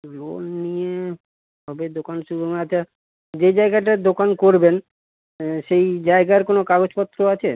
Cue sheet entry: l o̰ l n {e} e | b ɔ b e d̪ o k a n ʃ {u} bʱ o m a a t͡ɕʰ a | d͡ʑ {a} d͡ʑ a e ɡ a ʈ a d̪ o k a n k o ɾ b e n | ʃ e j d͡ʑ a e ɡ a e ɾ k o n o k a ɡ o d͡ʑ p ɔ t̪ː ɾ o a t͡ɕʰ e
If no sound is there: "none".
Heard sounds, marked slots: i, u, e

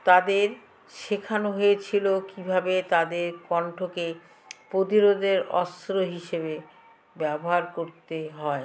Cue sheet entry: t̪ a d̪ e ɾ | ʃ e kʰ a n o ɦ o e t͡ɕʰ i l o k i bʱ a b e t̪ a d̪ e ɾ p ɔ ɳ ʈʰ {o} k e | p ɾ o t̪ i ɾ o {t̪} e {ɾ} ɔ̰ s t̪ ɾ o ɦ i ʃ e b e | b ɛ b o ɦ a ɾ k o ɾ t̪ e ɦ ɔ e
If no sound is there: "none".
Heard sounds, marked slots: o, d̪, ɾ

